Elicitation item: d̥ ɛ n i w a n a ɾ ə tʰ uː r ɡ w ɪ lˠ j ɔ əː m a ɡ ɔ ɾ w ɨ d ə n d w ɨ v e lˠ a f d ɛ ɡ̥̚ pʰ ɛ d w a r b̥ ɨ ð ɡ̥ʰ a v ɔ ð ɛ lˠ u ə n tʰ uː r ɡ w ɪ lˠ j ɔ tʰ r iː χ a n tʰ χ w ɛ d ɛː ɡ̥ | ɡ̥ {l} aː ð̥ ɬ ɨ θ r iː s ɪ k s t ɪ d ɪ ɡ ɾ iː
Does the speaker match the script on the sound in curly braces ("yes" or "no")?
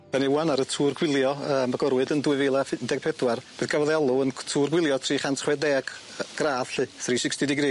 no